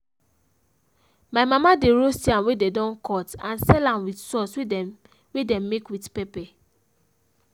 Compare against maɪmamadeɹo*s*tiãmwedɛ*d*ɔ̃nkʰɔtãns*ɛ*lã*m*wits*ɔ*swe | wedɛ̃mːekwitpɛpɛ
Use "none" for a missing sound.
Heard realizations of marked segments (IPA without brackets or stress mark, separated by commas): s, d, ɛ, m, ɔ